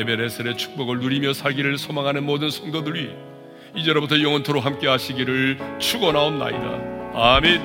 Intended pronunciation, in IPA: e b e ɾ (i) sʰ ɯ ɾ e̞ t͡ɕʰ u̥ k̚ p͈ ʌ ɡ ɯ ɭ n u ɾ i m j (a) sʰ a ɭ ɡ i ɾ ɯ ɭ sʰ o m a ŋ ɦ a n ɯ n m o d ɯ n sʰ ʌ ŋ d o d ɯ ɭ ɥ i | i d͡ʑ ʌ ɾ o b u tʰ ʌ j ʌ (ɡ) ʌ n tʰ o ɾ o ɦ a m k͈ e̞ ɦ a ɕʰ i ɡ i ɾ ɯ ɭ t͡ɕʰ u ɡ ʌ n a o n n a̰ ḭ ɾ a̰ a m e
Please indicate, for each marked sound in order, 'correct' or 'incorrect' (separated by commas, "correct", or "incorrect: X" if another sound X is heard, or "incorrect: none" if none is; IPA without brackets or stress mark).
incorrect: e, incorrect: ʌ, incorrect: ŋ